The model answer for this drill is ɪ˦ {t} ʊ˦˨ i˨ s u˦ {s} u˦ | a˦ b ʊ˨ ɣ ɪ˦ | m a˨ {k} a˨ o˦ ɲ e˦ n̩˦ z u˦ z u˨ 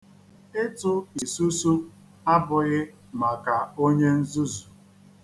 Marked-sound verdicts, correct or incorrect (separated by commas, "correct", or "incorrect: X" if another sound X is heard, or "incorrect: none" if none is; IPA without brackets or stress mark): correct, correct, correct